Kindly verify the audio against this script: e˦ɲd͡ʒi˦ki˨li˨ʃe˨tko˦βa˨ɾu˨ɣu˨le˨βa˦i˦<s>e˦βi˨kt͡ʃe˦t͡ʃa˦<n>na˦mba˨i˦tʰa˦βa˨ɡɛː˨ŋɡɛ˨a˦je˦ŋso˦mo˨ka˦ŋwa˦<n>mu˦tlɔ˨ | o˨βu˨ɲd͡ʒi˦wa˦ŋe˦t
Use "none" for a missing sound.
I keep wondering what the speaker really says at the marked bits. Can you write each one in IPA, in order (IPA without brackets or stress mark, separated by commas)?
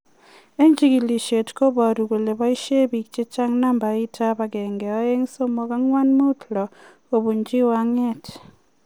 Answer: ʃ, ŋ, n